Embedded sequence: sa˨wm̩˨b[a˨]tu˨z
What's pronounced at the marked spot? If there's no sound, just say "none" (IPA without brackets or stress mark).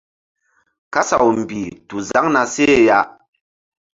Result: i˨